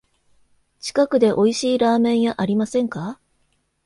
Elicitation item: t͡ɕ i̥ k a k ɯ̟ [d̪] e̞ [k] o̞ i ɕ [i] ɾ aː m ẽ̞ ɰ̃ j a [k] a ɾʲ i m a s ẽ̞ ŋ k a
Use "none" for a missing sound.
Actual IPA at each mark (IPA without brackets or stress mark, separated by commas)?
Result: d̪, ʔ, iː, ʔ